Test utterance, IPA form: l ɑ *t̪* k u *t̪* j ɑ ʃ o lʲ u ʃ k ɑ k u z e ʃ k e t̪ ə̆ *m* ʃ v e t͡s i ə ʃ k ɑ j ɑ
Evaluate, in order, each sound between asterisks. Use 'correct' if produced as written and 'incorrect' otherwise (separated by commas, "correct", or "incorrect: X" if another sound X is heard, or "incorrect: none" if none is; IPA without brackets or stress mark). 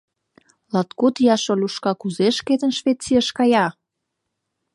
correct, correct, incorrect: n